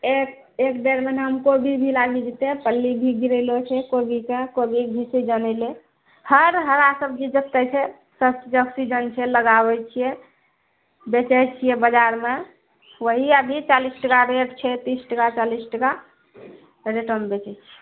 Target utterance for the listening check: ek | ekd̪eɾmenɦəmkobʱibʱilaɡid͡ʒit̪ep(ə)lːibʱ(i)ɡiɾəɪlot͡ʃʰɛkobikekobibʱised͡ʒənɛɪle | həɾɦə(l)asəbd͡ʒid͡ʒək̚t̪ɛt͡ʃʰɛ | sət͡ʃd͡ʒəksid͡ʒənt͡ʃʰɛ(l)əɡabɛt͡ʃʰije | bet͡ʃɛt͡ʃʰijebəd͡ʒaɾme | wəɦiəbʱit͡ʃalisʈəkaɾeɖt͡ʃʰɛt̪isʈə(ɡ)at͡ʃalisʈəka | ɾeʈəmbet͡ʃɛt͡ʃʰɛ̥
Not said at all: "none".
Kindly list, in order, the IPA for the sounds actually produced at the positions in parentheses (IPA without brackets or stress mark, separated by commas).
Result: ə, i, ɾ, l, k